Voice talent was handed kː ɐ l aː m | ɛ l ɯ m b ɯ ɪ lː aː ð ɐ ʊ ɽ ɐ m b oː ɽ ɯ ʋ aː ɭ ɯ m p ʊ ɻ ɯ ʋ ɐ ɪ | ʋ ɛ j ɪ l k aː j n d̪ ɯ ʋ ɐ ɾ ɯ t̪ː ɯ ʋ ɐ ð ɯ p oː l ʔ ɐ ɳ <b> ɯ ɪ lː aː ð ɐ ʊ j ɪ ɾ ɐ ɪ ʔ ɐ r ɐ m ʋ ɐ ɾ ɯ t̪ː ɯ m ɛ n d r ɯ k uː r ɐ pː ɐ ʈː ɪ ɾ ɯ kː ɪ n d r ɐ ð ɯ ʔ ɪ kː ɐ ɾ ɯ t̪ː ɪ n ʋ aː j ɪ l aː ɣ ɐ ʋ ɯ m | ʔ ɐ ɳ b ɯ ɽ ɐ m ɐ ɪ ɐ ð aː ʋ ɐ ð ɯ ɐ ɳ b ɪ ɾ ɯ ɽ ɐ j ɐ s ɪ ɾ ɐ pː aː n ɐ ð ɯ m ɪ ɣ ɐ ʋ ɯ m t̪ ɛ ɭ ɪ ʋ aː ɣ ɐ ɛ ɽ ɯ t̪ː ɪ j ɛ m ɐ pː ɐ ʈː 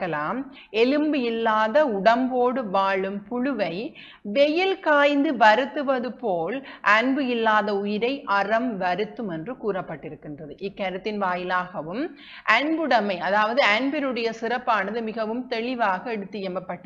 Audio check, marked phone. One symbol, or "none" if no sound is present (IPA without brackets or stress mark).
b